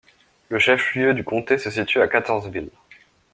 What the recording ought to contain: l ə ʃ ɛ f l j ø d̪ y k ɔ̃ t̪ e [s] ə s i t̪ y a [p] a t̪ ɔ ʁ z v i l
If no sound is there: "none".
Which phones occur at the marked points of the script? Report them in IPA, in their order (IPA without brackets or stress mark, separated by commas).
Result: s, k